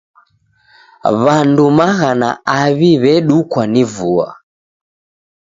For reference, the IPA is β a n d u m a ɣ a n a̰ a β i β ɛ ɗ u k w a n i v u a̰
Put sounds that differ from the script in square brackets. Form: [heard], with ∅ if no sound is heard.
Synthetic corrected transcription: β a n d u m a ɣ a n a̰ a β i β ɛ ɗ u k w a n i v u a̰